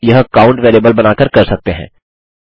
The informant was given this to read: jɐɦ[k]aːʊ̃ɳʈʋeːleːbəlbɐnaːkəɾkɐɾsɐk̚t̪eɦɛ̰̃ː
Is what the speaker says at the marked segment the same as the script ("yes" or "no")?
yes